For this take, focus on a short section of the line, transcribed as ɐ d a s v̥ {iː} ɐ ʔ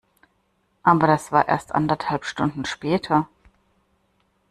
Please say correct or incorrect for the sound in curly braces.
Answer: incorrect